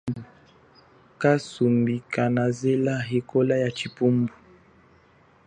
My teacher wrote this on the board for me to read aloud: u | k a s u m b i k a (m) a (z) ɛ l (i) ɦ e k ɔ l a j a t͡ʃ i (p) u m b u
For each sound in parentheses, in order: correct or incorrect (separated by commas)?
incorrect, correct, incorrect, correct